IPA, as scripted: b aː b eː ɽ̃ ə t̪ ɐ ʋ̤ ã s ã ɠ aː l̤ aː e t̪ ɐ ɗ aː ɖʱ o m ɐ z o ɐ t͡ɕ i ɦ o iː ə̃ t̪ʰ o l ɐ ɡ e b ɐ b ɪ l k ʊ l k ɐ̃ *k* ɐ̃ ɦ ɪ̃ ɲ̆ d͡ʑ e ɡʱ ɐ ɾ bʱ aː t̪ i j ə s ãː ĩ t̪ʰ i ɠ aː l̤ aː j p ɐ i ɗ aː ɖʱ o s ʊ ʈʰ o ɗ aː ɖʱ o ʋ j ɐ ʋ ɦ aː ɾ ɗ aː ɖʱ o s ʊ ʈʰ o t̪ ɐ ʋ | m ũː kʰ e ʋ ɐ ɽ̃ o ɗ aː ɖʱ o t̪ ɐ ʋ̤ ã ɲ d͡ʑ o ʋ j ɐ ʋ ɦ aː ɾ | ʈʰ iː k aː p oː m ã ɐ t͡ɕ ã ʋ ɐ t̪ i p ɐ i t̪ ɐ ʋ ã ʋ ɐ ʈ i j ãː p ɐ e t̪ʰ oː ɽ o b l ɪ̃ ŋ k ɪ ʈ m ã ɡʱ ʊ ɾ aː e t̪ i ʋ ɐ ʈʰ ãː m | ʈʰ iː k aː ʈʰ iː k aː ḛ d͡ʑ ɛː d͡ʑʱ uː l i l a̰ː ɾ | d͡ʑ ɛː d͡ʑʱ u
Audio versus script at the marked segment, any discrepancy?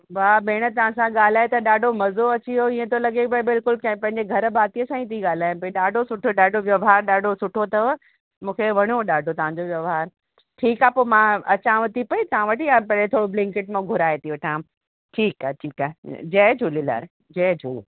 yes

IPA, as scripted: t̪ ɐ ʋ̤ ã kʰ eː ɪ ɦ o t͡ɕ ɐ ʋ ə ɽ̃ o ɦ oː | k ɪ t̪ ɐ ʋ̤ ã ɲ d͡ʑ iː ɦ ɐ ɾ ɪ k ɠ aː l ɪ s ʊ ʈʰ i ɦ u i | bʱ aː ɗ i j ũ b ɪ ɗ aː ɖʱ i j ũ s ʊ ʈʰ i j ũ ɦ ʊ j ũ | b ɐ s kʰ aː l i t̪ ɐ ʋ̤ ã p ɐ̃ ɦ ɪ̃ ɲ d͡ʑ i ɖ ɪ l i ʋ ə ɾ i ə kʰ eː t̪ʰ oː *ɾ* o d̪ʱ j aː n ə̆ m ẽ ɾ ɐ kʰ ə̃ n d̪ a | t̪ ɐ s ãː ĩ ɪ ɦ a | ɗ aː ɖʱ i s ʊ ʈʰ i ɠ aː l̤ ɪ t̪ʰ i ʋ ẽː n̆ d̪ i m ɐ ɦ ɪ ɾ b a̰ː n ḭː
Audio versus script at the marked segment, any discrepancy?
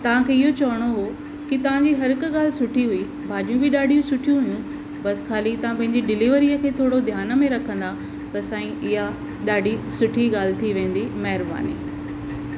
yes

